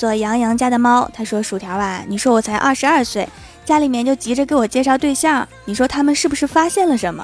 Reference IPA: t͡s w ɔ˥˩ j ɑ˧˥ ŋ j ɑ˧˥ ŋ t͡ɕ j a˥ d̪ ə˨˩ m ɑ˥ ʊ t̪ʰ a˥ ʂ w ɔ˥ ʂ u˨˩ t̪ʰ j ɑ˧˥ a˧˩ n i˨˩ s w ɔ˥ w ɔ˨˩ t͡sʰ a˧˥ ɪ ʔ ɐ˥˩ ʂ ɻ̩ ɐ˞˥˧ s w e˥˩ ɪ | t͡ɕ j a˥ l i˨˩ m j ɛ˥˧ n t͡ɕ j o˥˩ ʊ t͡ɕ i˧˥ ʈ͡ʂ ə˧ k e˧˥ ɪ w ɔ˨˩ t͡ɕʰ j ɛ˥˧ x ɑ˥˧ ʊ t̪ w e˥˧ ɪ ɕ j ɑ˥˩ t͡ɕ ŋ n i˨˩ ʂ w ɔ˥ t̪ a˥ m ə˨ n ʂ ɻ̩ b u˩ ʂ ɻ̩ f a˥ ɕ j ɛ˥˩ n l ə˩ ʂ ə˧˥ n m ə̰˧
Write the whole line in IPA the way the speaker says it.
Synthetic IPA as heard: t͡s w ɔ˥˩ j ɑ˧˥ ŋ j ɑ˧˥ ŋ t͡ɕ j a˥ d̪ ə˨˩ m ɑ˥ ʊ t̪ʰ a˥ ʂ w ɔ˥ ʂ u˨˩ t̪ʰ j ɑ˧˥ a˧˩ n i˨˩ ʂ w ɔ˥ w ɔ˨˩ t͡sʰ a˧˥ ɪ ʔ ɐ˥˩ ʂ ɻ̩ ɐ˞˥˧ s w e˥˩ ɪ | t͡ɕ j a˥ l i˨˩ m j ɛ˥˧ n t͡ɕ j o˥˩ ʊ t͡ɕ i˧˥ ʈ͡ʂ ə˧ k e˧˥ ɪ w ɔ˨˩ t͡ɕ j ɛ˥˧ ʂ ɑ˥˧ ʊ t̪ w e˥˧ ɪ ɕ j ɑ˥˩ ŋ n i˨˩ ʂ w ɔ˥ t̪ʰ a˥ m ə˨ n ʂ ɻ̩ b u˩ ʂ ɻ̩ f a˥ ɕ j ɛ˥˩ n l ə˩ ʂ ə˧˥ n m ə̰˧